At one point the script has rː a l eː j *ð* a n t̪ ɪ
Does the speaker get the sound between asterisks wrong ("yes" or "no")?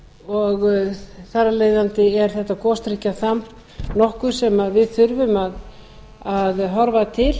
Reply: no